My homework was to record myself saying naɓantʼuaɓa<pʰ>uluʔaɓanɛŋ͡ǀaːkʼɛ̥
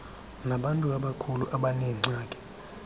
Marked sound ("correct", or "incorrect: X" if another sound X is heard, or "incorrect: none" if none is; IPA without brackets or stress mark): incorrect: kʰ